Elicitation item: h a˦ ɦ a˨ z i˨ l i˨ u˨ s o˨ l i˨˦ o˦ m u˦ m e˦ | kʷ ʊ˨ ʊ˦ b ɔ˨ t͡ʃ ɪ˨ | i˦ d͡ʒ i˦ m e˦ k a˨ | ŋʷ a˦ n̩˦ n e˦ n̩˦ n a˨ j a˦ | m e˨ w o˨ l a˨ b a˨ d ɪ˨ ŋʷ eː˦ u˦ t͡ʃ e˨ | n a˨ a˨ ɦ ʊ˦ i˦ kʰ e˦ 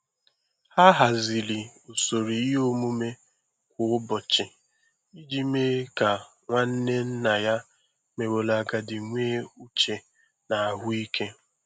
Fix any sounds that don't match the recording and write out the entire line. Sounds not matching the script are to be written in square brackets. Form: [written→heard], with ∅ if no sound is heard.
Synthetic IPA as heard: h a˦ ɦ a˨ z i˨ l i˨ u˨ s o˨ [l→ɾ] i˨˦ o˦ m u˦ m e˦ | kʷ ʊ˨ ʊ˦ b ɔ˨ t͡ʃ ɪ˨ | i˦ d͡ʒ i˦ m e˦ k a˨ | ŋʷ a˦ n̩˦ n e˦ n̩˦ n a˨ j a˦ | m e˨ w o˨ l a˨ [b→ɡ] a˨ d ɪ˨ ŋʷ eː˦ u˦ t͡ʃ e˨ | n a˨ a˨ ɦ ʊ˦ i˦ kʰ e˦